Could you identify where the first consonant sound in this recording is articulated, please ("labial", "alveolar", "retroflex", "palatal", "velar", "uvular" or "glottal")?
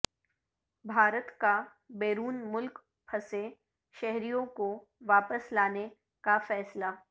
labial